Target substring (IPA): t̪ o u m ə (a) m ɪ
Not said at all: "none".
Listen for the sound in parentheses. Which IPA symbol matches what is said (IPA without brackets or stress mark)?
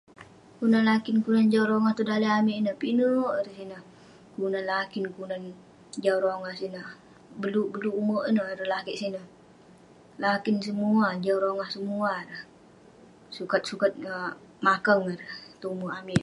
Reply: a